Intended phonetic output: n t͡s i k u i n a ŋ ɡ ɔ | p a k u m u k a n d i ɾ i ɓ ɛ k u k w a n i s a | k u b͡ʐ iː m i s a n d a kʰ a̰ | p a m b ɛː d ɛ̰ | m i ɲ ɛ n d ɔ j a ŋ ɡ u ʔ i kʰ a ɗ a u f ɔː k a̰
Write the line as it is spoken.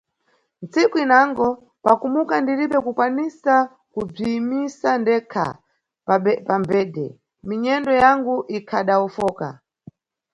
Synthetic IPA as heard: n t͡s i k u i n a ŋ ɡ ɔ | p a k u m u k a n d i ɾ i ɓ ɛ k u k w a n i s a | k u b͡ʐ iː m i s a n d ɛ kʰ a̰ | p a m b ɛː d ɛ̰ | m i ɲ ɛ n d ɔ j a ŋ ɡ u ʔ i kʰ a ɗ a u f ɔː k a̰